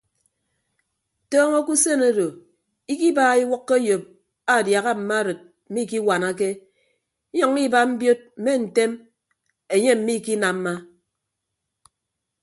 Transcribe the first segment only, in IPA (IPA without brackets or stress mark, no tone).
t